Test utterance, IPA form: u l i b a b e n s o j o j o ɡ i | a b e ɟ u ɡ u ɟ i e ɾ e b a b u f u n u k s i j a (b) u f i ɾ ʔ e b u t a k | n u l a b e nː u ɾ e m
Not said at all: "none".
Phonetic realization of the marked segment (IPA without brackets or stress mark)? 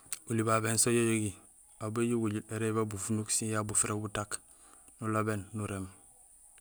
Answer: b